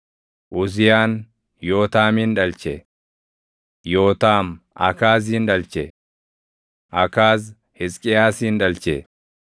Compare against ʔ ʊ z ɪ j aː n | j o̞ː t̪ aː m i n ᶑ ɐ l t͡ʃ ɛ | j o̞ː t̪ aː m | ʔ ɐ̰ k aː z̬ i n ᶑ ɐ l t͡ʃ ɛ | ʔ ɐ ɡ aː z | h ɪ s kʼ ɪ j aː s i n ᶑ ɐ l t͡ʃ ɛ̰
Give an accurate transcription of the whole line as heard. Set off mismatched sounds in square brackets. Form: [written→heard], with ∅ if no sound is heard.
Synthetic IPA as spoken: ʔ ʊ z ɪ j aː n | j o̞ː t̪ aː m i n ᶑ ɐ l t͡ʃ ɛ | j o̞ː t̪ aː m | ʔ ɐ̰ k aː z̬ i n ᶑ ɐ l t͡ʃ ɛ | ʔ ɐ [ɡ→k] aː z | h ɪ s kʼ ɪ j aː s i n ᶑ ɐ l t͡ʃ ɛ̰

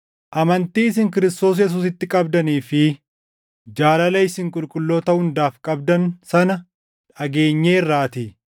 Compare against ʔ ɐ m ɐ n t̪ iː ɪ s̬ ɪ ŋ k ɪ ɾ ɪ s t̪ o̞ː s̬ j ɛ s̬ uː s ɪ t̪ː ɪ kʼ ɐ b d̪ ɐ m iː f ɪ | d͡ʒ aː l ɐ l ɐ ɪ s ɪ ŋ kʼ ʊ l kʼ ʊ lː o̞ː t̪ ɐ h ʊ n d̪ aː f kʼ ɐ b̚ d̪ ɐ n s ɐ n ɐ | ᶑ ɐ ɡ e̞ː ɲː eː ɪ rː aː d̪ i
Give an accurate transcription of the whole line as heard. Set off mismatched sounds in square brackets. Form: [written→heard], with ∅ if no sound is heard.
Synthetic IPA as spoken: ʔ ɐ m ɐ n t̪ iː ɪ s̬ ɪ ŋ k ɪ ɾ ɪ s t̪ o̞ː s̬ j ɛ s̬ uː s ɪ t̪ː ɪ kʼ ɐ b d̪ ɐ [m→n] iː f ɪ | d͡ʒ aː l ɐ l ɐ ɪ s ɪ ŋ kʼ ʊ l kʼ ʊ lː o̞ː t̪ ɐ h ʊ n d̪ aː f kʼ ɐ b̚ d̪ ɐ n s ɐ n ɐ | ᶑ ɐ ɡ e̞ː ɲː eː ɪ rː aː [d̪→t̪] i

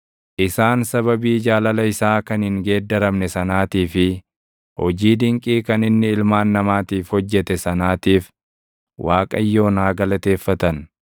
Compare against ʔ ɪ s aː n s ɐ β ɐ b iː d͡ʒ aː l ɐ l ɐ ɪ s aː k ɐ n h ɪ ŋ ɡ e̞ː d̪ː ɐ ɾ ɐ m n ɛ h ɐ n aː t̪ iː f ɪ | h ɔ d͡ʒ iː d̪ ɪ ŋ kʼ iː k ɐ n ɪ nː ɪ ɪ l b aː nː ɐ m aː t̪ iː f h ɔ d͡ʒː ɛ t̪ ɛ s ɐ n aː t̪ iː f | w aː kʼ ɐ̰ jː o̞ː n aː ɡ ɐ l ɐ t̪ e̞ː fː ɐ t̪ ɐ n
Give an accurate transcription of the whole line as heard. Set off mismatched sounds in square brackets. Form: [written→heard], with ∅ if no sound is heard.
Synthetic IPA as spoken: ʔ ɪ s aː n s ɐ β ɐ b iː d͡ʒ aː l ɐ l ɐ ɪ s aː k ɐ n h ɪ ŋ ɡ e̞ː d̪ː ɐ ɾ ɐ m n ɛ [h→s] ɐ n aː t̪ iː f ɪ | h ɔ d͡ʒ iː d̪ ɪ ŋ kʼ iː k ɐ n ɪ nː ɪ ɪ l [b→m] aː nː ɐ m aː t̪ iː f h ɔ d͡ʒː ɛ t̪ ɛ s ɐ n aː t̪ iː f | w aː kʼ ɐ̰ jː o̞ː n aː ɡ ɐ l ɐ t̪ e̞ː fː ɐ t̪ ɐ n

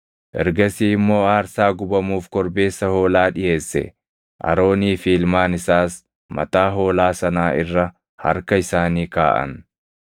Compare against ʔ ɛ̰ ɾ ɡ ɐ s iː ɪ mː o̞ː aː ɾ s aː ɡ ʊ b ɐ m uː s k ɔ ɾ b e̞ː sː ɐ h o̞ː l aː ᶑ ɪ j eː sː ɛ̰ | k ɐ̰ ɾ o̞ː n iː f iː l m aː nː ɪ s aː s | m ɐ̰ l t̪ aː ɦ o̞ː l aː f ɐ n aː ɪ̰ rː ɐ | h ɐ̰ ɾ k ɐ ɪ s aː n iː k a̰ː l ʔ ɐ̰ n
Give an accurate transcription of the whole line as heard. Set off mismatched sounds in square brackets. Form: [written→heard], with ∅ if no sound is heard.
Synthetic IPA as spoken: ʔ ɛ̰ ɾ ɡ ɐ s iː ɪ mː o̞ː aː ɾ s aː ɡ ʊ b ɐ m uː [s→f] k ɔ ɾ b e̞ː sː ɐ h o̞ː l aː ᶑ ɪ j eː sː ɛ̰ | [k→ʔ] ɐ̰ ɾ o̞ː n iː f iː l m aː [nː→n] ɪ s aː s | m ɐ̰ [l→∅] t̪ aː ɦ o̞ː l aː [f→s] ɐ n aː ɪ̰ rː ɐ | h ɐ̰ ɾ k ɐ ɪ s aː n iː k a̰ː [l→∅] ʔ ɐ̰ n

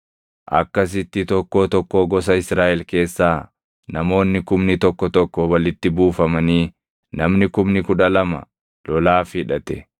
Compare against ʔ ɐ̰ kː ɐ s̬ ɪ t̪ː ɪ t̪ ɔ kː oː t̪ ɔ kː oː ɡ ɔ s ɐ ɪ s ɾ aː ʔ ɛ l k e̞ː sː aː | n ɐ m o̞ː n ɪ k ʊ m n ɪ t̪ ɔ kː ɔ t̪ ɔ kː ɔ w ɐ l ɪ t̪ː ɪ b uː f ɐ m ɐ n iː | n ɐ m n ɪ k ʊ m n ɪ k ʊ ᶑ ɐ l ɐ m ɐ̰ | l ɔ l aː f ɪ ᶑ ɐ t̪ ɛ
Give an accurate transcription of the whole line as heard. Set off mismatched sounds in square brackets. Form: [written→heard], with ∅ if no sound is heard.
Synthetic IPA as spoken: ʔ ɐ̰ kː ɐ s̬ ɪ t̪ː ɪ t̪ ɔ kː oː t̪ ɔ kː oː ɡ ɔ s ɐ ɪ s ɾ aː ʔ ɛ l k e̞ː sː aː | n ɐ m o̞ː [n→nː] ɪ k ʊ m n ɪ t̪ ɔ kː ɔ t̪ ɔ kː ɔ w ɐ l ɪ t̪ː ɪ b uː f ɐ m ɐ n iː | n ɐ m n ɪ k ʊ m n ɪ k ʊ ᶑ ɐ l ɐ m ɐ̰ | l ɔ l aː f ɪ ᶑ ɐ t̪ ɛ

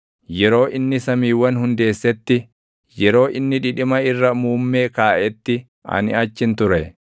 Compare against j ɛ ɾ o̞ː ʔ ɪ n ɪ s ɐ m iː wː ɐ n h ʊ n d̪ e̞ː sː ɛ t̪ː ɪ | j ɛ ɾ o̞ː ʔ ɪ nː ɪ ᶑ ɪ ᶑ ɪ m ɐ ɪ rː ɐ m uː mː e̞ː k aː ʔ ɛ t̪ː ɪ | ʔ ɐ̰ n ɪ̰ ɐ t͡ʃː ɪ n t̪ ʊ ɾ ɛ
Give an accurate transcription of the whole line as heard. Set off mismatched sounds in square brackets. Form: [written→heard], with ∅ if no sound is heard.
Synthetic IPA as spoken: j ɛ ɾ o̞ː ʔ ɪ [n→nː] ɪ s ɐ m iː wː ɐ n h ʊ n d̪ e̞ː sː ɛ t̪ː ɪ | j ɛ ɾ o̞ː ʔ ɪ nː ɪ ᶑ ɪ ᶑ ɪ m ɐ ɪ rː ɐ m uː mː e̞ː k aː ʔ ɛ t̪ː ɪ | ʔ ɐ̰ n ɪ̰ ɐ t͡ʃː ɪ n t̪ ʊ ɾ ɛ

